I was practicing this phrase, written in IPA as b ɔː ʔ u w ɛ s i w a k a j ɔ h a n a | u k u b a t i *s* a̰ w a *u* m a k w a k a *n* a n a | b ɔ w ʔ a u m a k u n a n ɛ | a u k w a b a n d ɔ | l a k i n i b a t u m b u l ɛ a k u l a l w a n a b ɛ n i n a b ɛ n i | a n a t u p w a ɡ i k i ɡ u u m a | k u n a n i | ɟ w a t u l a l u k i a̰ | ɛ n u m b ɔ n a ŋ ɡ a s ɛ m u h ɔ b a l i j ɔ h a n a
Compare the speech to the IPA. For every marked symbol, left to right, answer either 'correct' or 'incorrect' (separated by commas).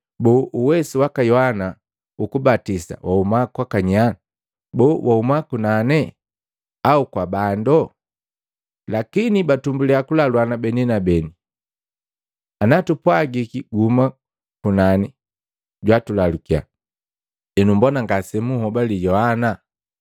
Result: correct, correct, incorrect